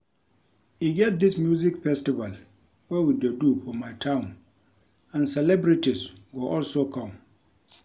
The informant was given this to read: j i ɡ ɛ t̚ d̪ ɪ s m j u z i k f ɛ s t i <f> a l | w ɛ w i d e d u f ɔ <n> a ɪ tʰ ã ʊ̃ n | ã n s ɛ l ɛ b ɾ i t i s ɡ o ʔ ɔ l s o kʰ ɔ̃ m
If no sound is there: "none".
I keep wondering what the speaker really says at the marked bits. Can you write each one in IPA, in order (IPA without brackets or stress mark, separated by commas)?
v, m